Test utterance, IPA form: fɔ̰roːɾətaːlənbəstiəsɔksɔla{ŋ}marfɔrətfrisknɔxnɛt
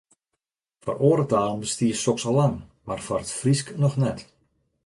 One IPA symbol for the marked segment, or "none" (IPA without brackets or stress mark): ŋ